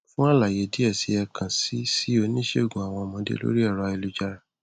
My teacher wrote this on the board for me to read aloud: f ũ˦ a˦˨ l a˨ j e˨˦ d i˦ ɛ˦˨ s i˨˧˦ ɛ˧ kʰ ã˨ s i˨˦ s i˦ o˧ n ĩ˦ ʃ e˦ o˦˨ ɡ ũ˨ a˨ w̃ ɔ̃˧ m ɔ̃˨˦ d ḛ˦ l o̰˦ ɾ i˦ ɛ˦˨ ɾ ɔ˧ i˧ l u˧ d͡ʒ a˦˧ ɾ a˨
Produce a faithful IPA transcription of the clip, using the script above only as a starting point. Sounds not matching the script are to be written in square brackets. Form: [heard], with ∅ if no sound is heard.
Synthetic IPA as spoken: f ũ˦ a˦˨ l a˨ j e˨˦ d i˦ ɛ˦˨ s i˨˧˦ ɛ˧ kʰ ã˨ s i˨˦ s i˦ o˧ n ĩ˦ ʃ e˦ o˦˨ ɡ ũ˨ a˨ w̃ ɔ̃˧ m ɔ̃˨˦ d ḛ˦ l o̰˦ ɾ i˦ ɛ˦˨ ɾ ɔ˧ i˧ l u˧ d͡ʒ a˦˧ ɾ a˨